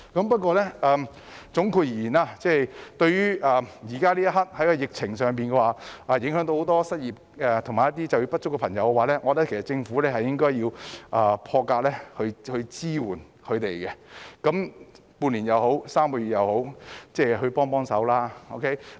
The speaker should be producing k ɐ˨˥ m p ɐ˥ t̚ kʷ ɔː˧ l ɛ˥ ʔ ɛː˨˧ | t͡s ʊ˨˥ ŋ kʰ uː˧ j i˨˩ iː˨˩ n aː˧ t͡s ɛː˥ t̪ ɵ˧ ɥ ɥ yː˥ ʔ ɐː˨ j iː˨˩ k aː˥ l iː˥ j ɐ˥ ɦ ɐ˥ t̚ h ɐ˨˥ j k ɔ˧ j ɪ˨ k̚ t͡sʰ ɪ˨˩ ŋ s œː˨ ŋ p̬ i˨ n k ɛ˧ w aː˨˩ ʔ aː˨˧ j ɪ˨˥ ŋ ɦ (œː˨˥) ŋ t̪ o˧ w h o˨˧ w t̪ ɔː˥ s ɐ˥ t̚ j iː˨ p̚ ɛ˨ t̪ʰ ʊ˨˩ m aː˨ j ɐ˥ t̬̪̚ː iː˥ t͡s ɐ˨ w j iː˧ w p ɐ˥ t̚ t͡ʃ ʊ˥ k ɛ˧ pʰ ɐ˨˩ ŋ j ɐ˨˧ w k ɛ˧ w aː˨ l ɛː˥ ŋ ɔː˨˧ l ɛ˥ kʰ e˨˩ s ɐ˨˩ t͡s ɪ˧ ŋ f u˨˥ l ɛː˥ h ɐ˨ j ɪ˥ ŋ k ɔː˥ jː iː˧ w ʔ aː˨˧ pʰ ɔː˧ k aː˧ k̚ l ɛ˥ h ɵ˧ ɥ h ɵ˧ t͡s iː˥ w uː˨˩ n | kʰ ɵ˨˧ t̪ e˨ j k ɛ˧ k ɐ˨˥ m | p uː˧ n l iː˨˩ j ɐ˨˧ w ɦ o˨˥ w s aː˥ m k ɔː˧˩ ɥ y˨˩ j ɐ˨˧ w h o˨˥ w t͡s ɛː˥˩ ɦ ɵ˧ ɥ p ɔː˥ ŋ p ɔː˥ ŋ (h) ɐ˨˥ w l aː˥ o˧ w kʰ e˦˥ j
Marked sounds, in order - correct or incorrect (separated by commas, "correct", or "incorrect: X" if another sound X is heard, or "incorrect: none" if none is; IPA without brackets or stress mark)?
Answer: incorrect: œ˨˥, incorrect: s